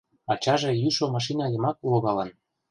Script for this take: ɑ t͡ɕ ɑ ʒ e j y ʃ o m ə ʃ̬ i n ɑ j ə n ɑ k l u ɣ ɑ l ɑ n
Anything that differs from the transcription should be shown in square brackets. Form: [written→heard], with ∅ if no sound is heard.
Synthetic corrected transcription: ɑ t͡ɕ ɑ ʒ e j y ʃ o m [ə→ɑ] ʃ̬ i n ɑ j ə [n→m] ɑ k l [u→o] ɣ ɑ l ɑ n